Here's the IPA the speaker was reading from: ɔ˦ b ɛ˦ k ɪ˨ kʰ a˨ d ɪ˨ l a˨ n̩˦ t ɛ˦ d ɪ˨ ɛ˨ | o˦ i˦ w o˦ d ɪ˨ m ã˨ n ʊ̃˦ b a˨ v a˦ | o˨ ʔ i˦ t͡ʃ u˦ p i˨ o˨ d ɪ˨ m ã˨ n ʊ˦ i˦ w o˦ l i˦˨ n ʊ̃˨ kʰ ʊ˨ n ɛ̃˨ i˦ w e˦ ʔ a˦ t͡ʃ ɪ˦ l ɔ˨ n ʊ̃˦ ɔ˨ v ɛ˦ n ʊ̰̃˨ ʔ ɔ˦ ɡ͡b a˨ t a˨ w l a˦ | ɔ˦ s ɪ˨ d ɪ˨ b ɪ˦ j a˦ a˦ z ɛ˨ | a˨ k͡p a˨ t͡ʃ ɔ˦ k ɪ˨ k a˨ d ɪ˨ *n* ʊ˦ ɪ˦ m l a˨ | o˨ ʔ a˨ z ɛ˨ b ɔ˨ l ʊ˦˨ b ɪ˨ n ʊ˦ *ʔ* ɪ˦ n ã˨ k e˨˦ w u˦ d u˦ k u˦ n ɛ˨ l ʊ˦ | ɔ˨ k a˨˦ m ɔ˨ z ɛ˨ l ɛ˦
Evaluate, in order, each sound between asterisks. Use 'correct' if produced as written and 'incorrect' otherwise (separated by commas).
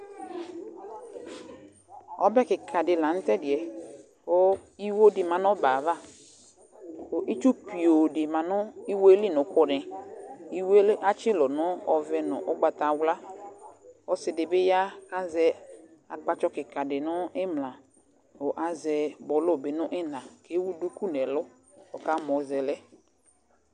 correct, correct